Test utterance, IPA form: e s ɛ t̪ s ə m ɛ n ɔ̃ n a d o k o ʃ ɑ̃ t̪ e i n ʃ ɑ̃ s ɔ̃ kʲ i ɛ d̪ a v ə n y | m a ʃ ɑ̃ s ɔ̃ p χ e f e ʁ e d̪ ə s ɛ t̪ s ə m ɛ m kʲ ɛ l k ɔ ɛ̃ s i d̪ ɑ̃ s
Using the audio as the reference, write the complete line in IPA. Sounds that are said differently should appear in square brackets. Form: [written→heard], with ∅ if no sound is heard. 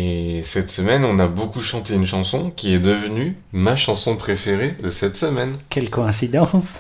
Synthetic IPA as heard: e s ɛ t̪ s ə m ɛ n ɔ̃ n a [d→b] o k [o→u] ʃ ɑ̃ t̪ e [i→y] n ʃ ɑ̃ s ɔ̃ kʲ i ɛ d̪ [a→ə] v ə n y | m a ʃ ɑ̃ s ɔ̃ p χ e f e ʁ e d̪ ə s ɛ t̪ s ə m ɛ [m→n] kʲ ɛ l k ɔ ɛ̃ s i d̪ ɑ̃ s